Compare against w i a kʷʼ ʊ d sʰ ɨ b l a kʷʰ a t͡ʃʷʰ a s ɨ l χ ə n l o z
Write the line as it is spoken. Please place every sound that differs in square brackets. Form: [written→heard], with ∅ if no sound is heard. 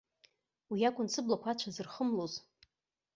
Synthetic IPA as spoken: w i a kʷʼ ʊ [d→n] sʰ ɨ b l a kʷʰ a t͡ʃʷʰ a [s→z] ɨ [l→r] χ ə [n→m] l o z